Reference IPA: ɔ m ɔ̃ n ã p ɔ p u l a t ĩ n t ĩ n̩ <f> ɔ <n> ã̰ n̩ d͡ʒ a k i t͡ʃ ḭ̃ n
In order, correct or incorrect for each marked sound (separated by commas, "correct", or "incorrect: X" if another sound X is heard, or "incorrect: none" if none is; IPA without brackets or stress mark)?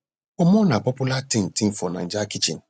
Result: correct, correct